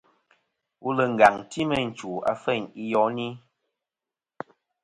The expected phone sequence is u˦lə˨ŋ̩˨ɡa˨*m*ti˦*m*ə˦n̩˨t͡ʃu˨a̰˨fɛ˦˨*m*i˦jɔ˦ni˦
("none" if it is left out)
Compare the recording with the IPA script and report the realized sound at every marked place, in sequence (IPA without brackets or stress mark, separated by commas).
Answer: ŋ, m, ɲ